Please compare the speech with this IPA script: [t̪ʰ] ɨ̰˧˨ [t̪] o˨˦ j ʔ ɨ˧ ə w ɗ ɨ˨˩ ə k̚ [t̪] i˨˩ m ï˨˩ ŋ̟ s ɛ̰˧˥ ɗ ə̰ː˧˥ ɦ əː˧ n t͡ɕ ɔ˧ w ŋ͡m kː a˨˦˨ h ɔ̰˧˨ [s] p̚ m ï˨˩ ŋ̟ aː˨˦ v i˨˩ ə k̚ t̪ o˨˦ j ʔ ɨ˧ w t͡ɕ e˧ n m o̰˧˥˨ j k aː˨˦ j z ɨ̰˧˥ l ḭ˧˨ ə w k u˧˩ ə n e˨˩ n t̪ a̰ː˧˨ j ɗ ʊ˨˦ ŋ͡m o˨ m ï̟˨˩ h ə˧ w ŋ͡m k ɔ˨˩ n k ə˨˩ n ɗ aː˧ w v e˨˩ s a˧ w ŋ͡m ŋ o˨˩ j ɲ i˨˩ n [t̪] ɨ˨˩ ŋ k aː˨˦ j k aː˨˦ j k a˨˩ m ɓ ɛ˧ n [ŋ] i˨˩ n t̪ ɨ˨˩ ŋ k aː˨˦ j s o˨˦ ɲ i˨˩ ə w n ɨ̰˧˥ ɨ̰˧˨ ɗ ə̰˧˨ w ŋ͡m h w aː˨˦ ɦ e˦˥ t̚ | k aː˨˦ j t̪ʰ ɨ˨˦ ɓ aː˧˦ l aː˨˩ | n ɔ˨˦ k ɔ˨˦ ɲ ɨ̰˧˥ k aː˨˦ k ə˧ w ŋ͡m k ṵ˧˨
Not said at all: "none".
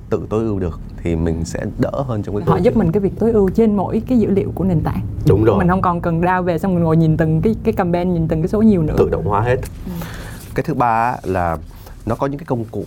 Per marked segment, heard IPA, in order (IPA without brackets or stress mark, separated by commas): t̪, t̪, t̪ʰ, z, t̪, ɲ